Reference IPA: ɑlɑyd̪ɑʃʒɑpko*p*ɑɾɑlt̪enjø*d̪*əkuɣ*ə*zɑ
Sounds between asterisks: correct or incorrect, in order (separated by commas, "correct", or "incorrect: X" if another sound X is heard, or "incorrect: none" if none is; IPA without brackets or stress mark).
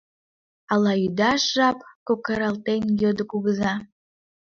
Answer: incorrect: k, correct, correct